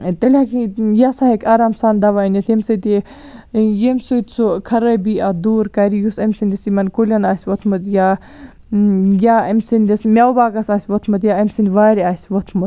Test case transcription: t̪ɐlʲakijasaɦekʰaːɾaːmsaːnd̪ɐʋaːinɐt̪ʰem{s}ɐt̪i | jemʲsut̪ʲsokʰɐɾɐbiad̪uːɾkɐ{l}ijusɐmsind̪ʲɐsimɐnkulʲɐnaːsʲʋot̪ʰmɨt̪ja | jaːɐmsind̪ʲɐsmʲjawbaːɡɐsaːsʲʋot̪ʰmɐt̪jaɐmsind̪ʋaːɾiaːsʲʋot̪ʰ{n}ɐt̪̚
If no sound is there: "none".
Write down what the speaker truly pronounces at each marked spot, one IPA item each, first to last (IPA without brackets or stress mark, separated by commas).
s, ɾ, m